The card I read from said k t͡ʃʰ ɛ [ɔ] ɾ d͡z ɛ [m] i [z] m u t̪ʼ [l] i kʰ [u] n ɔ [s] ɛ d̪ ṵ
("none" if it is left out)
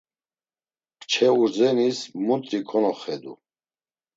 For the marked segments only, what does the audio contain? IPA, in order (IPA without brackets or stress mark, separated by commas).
u, n, s, ɾ, ɔ, χ